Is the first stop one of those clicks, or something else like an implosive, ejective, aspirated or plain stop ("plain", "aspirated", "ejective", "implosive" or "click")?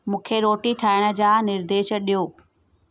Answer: aspirated